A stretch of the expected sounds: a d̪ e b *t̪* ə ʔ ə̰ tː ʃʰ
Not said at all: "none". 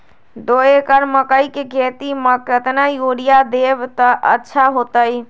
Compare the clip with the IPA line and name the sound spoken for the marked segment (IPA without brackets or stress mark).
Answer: t̪